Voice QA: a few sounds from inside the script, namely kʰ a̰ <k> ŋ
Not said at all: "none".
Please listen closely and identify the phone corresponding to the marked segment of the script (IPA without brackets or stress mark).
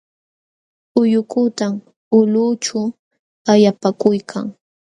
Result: none